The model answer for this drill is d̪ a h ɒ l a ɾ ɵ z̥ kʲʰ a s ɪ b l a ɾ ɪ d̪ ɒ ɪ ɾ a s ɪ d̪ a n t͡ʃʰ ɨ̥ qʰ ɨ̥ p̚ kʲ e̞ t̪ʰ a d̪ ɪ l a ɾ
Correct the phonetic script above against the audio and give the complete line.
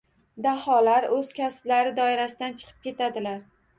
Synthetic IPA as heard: d̪ a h ɒ l a ɾ ɵ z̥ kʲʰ a s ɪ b l a ɾ ɪ d̪ ɒ ɪ ɾ a s ɪ d̪ a n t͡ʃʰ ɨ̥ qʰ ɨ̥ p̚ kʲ e̞ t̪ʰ a d̪ ɪ l a ɾ

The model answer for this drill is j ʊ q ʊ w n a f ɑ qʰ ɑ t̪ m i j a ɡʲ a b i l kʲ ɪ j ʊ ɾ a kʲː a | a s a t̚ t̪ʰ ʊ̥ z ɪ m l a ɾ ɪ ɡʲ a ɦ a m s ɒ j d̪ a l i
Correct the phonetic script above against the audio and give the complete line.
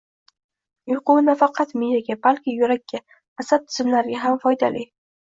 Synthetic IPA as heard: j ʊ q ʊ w n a f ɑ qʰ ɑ t̪ m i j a ɡʲ a b a l kʲ ɪ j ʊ ɾ a kʲː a | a s a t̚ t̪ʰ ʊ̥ z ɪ m l a ɾ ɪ ɡʲ a ɦ a m f ɒ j d̪ a l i

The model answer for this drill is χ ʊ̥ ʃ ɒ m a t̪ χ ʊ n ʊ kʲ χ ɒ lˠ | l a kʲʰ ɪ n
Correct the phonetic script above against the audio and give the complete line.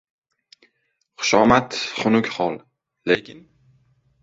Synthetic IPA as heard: χ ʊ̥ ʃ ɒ m a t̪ χ ʊ n ʊ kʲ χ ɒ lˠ | l e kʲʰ ɪ n

